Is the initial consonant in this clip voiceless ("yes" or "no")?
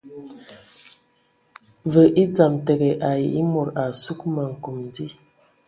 no